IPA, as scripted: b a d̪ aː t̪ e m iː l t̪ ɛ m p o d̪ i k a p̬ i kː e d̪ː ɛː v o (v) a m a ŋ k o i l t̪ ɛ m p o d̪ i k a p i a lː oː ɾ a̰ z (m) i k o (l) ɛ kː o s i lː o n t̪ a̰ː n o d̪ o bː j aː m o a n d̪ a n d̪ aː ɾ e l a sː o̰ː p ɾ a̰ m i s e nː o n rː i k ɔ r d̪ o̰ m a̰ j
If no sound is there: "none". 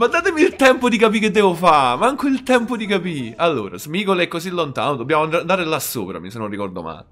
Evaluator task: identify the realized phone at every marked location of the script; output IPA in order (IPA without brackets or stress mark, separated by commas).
f, m, l